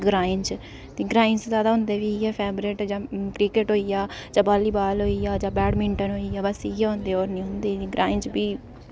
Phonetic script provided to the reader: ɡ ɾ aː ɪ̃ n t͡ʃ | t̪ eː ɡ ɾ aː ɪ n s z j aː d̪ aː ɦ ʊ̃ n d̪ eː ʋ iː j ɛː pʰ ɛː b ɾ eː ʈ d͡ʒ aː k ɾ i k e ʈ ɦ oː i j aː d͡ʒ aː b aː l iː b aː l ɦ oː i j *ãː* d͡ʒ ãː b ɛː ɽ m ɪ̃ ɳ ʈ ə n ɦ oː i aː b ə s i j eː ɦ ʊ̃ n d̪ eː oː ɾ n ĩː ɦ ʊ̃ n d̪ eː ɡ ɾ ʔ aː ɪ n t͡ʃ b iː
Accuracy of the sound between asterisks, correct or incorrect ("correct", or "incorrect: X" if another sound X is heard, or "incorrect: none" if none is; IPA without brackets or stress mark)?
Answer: incorrect: aː